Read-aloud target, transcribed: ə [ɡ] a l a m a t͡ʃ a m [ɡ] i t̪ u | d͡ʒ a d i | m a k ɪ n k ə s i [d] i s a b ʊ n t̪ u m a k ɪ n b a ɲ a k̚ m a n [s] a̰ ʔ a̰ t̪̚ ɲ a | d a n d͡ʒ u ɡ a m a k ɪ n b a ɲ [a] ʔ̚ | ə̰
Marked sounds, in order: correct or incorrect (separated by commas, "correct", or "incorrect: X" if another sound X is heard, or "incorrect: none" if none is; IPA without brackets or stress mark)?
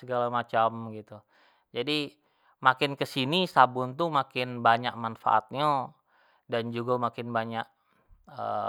correct, correct, incorrect: n, incorrect: f, correct